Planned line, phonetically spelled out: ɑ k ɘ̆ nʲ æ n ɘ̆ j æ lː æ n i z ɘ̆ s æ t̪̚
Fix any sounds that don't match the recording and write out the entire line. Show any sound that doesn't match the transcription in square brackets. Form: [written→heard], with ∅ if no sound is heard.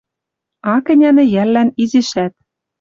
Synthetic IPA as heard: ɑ k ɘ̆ nʲ æ n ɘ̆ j æ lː æ n i z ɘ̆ [s→ʃ] æ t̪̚